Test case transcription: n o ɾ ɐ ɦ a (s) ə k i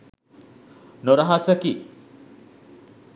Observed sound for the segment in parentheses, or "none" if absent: s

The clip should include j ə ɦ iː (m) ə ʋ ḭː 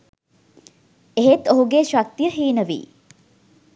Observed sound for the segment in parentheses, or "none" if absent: n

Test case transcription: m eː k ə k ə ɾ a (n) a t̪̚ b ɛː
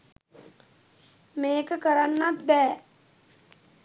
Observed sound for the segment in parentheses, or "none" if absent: nː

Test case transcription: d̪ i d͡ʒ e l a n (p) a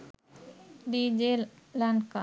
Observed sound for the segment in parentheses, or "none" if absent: k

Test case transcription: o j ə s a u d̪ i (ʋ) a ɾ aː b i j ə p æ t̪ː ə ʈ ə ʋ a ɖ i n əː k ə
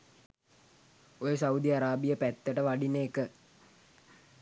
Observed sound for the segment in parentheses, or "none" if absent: none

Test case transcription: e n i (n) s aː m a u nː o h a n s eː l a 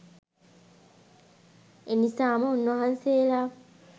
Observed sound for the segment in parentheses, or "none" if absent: none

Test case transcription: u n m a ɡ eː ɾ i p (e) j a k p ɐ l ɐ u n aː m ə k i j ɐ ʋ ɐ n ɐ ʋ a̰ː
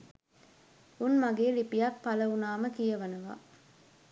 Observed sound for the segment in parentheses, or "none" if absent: i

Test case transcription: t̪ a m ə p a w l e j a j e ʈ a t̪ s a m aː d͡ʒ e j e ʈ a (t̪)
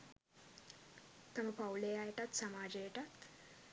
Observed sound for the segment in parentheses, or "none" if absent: t̪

